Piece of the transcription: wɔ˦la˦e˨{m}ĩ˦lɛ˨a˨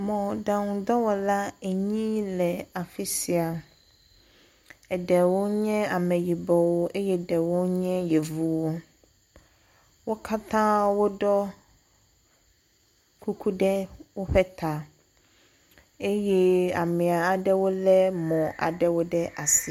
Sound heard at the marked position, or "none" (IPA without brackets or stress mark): ɲ